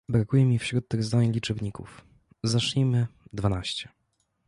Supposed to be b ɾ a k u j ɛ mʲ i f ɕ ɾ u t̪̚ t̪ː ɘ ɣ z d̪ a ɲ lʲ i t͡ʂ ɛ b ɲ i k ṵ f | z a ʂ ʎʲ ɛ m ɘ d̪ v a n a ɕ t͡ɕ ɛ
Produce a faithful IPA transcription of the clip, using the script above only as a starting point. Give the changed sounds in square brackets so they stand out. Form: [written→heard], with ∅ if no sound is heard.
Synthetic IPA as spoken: b ɾ a k u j ɛ mʲ i f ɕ ɾ u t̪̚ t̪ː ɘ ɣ z d̪ a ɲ lʲ i t͡ʂ ɛ b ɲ i k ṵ f | z a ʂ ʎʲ [ɛ→i] m ɘ d̪ v a n a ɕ t͡ɕ ɛ